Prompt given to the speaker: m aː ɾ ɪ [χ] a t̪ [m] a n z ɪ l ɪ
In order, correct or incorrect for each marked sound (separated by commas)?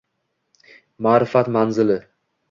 incorrect, correct